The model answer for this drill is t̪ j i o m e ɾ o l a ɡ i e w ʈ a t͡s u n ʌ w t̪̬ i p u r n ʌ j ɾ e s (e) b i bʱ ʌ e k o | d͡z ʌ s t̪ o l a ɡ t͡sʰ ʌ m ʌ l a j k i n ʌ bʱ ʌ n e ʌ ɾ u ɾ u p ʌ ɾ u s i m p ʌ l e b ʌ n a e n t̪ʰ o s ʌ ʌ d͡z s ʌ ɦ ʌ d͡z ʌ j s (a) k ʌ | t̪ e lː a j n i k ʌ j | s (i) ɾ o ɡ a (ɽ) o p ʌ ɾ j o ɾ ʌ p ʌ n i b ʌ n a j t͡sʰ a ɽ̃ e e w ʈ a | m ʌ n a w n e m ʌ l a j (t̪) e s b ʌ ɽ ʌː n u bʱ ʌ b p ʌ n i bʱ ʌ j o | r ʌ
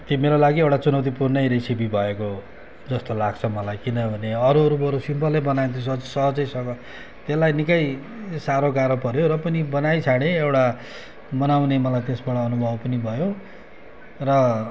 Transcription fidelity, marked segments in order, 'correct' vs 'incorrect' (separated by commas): incorrect, incorrect, incorrect, incorrect, correct